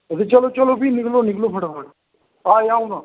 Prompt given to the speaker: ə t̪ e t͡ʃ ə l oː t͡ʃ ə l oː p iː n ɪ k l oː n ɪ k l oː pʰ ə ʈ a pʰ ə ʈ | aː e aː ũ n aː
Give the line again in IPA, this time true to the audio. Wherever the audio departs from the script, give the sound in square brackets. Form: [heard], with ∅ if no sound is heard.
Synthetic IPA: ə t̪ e t͡ʃ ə l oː t͡ʃ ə l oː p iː n ɪ k l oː n ɪ k l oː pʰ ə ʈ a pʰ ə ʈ | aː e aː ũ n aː